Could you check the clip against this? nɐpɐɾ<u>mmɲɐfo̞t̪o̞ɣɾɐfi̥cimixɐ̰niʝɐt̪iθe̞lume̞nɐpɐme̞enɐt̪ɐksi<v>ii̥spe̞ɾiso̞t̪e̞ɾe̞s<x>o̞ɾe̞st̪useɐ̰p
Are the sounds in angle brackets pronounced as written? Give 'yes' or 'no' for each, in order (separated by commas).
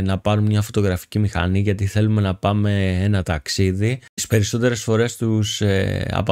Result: yes, no, no